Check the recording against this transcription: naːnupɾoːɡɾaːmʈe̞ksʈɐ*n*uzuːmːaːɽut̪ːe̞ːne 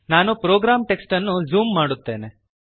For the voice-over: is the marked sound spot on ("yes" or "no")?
no